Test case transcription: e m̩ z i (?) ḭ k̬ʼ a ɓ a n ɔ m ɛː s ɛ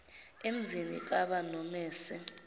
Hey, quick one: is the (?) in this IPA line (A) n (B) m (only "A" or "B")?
A